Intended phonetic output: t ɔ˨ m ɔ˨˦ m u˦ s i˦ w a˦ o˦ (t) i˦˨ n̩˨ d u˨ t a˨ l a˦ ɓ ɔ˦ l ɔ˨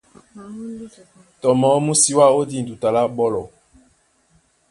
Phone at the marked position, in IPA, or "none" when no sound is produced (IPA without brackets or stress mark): d